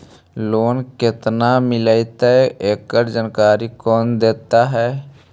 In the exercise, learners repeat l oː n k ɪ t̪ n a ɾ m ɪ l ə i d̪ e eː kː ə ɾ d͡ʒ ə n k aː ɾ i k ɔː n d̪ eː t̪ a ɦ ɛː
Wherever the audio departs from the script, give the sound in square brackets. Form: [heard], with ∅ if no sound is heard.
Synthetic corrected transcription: l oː n k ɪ t̪ n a [∅] m ɪ l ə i [t̪] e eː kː ə ɾ d͡ʒ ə n k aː ɾ i k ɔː n d̪ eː t̪ a ɦ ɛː